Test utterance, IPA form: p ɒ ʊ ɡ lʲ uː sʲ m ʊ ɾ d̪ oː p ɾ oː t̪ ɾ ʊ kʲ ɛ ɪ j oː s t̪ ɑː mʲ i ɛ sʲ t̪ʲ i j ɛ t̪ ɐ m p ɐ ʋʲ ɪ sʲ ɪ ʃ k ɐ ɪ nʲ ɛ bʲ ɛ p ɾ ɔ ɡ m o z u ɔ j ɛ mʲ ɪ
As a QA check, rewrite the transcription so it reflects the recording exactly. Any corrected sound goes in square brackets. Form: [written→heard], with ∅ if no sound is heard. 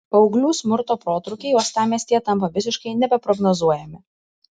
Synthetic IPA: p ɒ ʊ ɡ lʲ uː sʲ m ʊ ɾ [d̪→t̪] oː p ɾ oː t̪ ɾ ʊ kʲ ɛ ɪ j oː s t̪ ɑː mʲ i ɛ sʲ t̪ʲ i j ɛ t̪ ɐ m p ɐ ʋʲ ɪ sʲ ɪ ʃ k ɐ ɪ nʲ ɛ bʲ ɛ p ɾ ɔ ɡ [m→n] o z u ɔ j ɛ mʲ ɪ